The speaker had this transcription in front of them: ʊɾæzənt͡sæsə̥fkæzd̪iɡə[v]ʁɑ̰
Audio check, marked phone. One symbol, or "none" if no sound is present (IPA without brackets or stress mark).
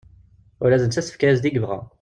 v